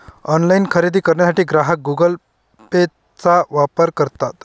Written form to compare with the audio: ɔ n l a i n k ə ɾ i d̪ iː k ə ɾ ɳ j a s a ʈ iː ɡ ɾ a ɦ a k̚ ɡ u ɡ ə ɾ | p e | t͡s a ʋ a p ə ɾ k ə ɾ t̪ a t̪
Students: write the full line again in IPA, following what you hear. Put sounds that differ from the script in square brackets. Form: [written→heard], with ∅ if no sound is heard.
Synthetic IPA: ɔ n l a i n [k→kʰ] ə ɾ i d̪ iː k ə ɾ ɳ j a s a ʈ iː ɡ ɾ a ɦ [a→ə] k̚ ɡ u ɡ ə [ɾ→l] | p e | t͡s a ʋ a p ə ɾ k ə ɾ t̪ a t̪